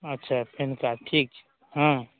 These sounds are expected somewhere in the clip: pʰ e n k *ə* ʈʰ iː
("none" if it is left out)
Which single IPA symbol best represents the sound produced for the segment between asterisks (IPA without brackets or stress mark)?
a